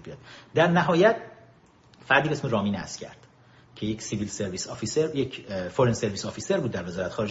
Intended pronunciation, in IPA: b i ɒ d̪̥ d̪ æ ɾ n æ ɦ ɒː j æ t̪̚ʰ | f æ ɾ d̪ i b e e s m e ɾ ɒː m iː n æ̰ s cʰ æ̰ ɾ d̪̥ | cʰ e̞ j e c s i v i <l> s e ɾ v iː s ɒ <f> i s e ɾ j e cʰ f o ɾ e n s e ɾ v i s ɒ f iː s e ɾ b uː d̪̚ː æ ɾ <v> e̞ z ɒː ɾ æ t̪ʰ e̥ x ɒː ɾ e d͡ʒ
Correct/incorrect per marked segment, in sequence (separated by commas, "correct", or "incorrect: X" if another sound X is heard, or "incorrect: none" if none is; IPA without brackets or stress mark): correct, correct, correct